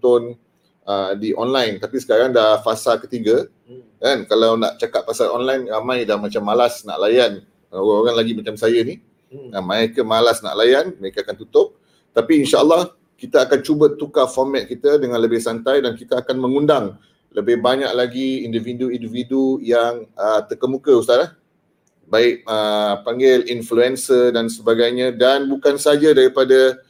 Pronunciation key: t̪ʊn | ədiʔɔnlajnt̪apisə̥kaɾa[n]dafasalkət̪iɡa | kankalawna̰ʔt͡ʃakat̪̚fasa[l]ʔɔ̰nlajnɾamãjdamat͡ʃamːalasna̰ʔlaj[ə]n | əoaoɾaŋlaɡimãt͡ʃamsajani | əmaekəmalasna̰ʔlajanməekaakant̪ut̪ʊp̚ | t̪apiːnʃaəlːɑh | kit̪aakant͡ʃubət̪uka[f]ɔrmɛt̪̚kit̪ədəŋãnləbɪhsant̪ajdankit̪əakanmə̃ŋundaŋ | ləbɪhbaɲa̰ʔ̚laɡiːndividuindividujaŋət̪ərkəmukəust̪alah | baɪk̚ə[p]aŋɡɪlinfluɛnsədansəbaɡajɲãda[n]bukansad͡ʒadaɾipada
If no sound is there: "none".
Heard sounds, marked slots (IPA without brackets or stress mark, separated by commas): ŋ, l, a, f, p, n